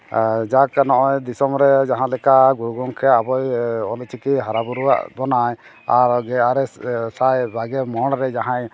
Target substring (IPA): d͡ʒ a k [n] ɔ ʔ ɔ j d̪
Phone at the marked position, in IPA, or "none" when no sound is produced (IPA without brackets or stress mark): n